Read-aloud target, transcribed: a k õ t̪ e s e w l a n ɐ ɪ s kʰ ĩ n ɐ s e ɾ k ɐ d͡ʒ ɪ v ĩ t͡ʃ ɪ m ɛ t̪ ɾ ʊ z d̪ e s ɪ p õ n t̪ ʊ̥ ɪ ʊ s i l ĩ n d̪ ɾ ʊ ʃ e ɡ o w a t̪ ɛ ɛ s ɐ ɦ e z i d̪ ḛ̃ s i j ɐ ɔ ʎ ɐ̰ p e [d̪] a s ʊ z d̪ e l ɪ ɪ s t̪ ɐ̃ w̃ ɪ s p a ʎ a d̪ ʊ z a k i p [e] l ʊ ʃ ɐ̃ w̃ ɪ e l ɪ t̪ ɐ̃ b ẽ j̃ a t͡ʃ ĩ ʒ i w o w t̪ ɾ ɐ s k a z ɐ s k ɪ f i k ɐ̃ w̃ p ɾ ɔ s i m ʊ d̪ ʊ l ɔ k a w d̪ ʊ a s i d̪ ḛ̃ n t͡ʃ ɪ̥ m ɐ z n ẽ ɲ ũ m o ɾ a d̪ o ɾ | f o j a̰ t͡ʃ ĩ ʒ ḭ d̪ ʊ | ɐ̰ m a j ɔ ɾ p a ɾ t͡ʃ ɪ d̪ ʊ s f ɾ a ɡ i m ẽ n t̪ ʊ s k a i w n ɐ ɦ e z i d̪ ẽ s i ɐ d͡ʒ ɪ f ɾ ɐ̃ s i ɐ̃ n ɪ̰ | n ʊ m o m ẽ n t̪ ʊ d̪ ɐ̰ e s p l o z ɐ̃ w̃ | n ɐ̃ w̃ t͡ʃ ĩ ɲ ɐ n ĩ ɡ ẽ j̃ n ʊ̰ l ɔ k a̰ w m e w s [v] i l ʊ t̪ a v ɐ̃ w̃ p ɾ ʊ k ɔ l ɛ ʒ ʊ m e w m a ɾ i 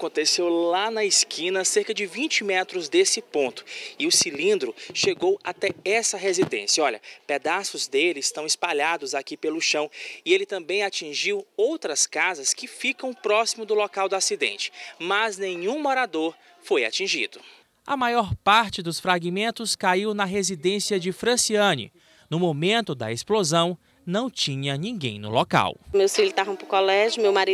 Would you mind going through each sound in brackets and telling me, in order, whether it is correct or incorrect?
correct, correct, incorrect

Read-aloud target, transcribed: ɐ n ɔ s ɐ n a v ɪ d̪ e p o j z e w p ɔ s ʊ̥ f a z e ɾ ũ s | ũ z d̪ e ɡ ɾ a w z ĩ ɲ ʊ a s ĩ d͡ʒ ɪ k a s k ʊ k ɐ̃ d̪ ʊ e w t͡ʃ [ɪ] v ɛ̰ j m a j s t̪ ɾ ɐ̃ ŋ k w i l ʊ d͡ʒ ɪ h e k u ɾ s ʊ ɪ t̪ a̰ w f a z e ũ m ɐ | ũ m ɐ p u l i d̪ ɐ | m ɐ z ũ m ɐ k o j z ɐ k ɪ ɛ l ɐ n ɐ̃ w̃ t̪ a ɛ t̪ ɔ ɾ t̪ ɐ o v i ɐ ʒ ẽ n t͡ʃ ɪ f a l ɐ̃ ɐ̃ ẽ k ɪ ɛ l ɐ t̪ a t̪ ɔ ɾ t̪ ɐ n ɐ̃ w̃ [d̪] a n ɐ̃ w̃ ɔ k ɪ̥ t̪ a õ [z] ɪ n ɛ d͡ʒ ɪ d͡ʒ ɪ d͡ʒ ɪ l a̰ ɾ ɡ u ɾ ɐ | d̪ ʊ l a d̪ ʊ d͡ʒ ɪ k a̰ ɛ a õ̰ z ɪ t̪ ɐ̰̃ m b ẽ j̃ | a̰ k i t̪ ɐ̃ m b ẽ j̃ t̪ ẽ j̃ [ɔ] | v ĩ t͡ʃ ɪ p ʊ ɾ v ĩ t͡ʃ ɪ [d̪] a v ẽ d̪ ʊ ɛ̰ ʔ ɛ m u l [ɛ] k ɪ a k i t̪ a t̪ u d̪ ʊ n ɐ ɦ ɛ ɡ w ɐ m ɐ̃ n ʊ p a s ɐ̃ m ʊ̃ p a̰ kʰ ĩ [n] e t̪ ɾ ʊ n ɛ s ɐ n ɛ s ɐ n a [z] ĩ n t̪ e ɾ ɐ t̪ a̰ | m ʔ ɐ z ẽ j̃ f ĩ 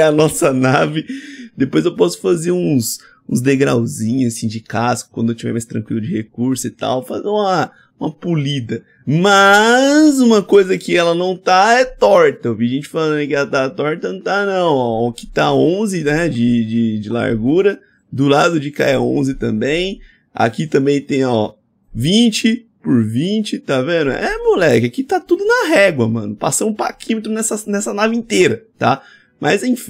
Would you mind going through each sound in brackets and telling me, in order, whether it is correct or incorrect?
incorrect, incorrect, correct, correct, incorrect, correct, incorrect, incorrect

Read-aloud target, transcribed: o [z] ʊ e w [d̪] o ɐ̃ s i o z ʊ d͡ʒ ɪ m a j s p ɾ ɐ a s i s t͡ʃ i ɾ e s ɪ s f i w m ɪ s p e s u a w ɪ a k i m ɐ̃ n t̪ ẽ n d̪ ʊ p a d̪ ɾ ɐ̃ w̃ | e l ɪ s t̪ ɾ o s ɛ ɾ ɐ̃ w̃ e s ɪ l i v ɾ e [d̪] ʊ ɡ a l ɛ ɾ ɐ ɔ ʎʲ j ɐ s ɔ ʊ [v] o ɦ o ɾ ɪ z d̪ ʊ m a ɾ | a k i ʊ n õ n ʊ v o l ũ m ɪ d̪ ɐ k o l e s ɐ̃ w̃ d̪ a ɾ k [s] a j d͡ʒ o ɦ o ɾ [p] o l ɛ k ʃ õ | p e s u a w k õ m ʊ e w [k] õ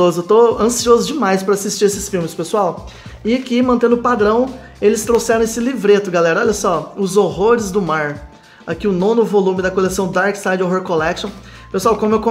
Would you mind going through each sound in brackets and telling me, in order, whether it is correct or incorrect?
correct, incorrect, incorrect, incorrect, correct, incorrect, correct

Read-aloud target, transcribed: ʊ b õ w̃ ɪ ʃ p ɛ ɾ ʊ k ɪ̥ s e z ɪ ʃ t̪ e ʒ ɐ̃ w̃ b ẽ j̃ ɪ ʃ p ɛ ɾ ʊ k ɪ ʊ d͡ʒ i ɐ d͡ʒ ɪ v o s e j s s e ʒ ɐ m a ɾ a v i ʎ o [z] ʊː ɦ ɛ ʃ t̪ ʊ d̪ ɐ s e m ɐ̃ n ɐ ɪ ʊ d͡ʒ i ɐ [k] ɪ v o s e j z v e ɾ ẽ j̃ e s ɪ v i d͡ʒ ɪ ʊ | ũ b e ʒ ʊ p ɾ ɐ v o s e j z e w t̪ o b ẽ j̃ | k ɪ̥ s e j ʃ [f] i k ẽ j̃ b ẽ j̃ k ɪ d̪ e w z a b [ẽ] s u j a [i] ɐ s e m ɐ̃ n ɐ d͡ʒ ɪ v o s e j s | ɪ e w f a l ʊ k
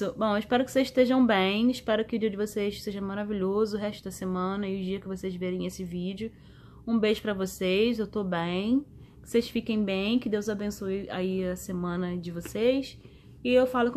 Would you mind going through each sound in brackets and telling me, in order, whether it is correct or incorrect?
correct, correct, correct, correct, correct

